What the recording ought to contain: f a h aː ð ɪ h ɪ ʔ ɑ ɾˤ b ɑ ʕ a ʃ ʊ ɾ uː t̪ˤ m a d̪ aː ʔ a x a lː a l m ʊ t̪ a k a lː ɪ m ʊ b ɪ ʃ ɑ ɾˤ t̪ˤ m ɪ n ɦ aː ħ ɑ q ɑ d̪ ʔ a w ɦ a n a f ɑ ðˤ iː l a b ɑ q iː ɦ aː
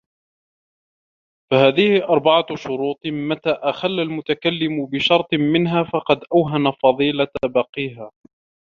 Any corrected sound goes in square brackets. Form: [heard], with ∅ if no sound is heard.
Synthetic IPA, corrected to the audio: f a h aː ð ɪ h ɪ ʔ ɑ ɾˤ b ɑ ʕ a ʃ ʊ ɾ uː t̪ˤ m a [t̪] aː ʔ a x a lː a l m ʊ t̪ a k a lː ɪ m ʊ b ɪ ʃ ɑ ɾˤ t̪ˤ m ɪ n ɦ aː [f] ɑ q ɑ d̪ ʔ a w ɦ a n a f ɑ ðˤ iː l a b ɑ q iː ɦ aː